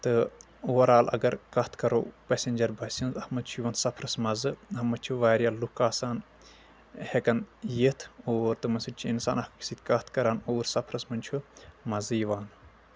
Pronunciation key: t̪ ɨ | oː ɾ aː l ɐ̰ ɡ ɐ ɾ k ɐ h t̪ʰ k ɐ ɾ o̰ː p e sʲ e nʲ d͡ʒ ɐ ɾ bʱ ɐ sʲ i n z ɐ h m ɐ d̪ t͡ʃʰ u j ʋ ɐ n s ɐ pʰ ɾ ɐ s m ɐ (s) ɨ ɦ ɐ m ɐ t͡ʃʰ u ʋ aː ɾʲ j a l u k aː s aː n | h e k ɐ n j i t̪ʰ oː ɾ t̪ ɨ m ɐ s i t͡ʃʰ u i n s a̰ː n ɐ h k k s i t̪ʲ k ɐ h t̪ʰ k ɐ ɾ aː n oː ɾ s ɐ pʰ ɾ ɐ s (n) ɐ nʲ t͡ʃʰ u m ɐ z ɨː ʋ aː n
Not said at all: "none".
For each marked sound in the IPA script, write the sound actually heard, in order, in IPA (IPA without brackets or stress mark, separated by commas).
z, m